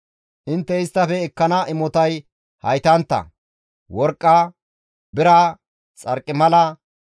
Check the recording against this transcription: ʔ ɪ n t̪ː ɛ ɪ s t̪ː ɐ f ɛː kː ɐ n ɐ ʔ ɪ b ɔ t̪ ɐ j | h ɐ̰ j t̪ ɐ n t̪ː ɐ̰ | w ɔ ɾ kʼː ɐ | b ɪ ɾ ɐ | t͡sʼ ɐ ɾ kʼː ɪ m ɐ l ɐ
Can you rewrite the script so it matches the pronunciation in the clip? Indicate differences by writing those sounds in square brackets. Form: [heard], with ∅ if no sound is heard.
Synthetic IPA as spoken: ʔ ɪ n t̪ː ɛ ɪ s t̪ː ɐ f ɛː kː ɐ n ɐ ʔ ɪ [m] ɔ t̪ ɐ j | h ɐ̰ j t̪ ɐ n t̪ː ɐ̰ | w ɔ ɾ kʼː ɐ | b ɪ ɾ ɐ | t͡sʼ ɐ ɾ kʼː ɪ m ɐ l ɐ

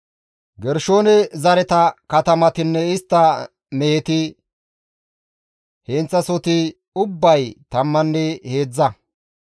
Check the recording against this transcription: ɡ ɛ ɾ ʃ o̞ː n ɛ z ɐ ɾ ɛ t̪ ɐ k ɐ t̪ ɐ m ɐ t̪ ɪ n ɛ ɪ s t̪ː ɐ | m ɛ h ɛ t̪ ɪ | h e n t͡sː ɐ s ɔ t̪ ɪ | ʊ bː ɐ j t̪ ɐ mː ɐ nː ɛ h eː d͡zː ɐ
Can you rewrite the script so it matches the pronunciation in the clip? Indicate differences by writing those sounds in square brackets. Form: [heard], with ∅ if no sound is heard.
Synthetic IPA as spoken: ɡ ɛ ɾ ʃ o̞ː n ɛ z ɐ ɾ ɛ t̪ ɐ k ɐ t̪ ɐ m ɐ t̪ ɪ [nː] ɛ ɪ s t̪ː ɐ | m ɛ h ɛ t̪ ɪ | h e n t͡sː ɐ s ɔ t̪ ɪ | ʊ bː ɐ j t̪ ɐ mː ɐ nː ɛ h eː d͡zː ɐ

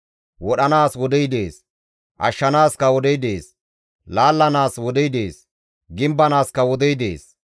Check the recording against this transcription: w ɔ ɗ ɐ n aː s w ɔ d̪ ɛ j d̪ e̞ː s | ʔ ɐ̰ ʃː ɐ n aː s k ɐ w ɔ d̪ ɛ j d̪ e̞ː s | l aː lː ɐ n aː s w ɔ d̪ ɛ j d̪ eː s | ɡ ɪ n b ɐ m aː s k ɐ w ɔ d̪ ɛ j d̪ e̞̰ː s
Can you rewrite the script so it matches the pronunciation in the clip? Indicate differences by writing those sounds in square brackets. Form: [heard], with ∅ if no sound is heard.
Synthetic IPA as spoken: w ɔ ɗ ɐ n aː s w ɔ d̪ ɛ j d̪ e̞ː s | ʔ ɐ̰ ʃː ɐ n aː s k ɐ w ɔ d̪ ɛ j d̪ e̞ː s | l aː lː ɐ n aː s w ɔ d̪ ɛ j d̪ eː s | ɡ ɪ [m] b ɐ [n] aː s k ɐ w ɔ d̪ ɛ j d̪ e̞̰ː s

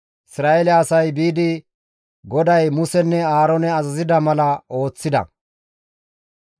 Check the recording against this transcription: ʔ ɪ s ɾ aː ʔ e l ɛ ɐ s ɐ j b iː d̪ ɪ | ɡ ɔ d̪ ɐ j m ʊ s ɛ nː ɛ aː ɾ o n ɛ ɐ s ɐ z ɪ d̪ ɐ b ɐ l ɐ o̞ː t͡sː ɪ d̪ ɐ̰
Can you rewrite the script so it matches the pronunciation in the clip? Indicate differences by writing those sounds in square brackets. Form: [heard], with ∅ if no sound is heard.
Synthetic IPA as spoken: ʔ ɪ s ɾ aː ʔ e l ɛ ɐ s ɐ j b iː d̪ ɪ | ɡ ɔ d̪ ɐ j m ʊ s ɛ nː ɛ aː ɾ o n ɛ ɐ [z] ɐ z ɪ d̪ ɐ [m] ɐ l ɐ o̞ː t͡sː ɪ d̪ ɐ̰

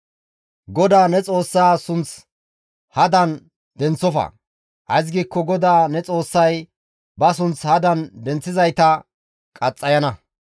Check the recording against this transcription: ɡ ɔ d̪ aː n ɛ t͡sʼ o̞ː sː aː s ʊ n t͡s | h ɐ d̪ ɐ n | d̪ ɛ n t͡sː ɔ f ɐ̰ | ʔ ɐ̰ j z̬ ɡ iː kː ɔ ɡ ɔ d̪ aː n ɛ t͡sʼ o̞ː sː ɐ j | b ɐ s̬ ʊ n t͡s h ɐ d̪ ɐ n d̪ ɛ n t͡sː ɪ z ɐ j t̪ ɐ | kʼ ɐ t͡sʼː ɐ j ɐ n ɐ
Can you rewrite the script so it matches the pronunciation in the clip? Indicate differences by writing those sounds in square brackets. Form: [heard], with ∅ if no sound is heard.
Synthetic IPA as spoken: ɡ ɔ d̪ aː n ɛ t͡sʼ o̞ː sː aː s ʊ n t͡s | h ɐ d̪ ɐ n | d̪ ɛ n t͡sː ɔ f ɐ̰ | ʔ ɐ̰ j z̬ ɡ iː kː ɔ ɡ ɔ d̪ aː n ɛ t͡sʼ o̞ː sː ɐ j | b ɐ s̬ ʊ n t͡s h ɐ d̪ ɐ n d̪ ɛ n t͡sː ɪ z ɐ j t̪ ɐ | kʼ ɐ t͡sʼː ɐ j ɐ n ɐ

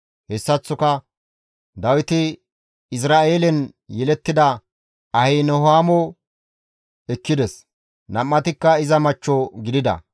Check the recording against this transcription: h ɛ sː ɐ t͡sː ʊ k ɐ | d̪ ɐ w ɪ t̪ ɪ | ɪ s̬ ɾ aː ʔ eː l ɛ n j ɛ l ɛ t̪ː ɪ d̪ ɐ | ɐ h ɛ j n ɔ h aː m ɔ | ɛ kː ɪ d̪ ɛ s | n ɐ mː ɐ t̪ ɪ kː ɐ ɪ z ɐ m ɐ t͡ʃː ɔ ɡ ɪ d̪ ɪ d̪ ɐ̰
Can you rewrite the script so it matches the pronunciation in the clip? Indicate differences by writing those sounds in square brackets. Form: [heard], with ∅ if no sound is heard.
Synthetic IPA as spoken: h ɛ sː ɐ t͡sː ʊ k ɐ | d̪ ɐ w ɪ t̪ ɪ | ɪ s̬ ɾ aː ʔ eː l ɛ n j ɛ l ɛ t̪ː ɪ d̪ ɐ | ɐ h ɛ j n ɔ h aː m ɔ | ɛ kː ɪ d̪ ɛ s | n ɐ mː ɐ t̪ ɪ kː ɐ ɪ z ɐ m ɐ t͡ʃː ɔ ɡ ɪ d̪ ɪ d̪ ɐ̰

